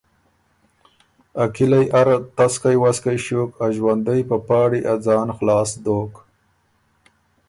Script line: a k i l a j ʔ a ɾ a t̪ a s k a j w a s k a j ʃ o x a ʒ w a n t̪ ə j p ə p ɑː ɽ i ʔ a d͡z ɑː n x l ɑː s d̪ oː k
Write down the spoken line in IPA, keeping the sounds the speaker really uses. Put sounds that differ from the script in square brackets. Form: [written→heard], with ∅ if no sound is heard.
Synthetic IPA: a k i l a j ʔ a ɾ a t̪ a s k a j w a s k a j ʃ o [x→k] a ʒ w a n [t̪→d̪] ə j p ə p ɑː ɽ i ʔ a d͡z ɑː n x l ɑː s d̪ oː k